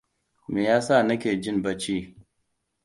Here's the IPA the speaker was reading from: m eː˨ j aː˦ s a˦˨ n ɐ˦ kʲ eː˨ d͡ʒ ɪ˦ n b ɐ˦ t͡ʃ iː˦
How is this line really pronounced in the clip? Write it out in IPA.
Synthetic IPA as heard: m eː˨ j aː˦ s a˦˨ n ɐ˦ kʲ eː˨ d͡ʒ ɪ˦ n b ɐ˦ t͡ʃ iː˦